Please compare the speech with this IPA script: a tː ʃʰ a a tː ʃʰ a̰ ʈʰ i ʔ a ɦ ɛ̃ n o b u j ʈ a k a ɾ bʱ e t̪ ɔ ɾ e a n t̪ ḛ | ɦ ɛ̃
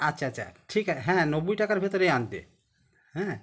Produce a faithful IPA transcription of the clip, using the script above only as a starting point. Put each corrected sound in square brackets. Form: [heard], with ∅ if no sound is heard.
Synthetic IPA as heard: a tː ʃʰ a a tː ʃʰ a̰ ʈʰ i [k] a ɦ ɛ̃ n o b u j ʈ a k a ɾ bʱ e t̪ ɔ ɾ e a n t̪ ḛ | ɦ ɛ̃